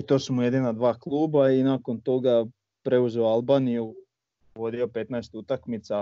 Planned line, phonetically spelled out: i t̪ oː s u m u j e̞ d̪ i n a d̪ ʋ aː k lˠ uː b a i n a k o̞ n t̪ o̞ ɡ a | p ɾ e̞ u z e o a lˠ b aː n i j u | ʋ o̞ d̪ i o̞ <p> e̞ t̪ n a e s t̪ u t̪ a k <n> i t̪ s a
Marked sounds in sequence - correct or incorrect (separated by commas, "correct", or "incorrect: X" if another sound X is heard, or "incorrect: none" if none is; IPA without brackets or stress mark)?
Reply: correct, incorrect: m